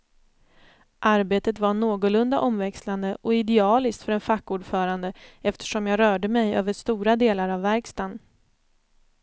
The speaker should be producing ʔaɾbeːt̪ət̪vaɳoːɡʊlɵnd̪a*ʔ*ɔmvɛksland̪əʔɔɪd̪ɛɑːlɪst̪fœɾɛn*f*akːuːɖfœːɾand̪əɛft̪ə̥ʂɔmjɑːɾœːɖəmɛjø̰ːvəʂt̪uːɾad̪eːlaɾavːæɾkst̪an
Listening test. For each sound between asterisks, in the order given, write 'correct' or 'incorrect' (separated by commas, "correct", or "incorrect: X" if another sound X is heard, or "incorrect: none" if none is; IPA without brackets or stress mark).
correct, correct